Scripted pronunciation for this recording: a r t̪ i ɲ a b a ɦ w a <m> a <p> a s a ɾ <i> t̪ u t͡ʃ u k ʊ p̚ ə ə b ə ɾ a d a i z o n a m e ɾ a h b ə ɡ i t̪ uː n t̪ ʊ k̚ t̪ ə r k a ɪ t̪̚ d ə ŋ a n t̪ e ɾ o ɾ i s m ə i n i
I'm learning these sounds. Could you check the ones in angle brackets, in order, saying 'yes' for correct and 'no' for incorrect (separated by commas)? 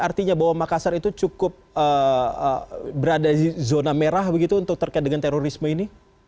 yes, no, yes